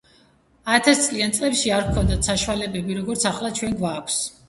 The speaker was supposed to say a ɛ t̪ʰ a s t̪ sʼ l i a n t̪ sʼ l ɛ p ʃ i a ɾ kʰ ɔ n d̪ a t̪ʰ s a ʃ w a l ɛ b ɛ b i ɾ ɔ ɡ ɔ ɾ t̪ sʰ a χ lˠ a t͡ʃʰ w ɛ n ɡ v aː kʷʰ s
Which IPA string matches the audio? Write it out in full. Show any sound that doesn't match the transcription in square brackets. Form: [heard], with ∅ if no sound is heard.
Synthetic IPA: a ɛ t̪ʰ a s t̪ sʼ l i a n t̪ sʼ l ɛ p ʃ i a ɾ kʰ ɔ n d̪ a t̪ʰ s a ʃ w a l ɛ b ɛ b i ɾ ɔ ɡ ɔ ɾ t̪ sʰ a χ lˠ a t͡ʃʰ w ɛ n ɡ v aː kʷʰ s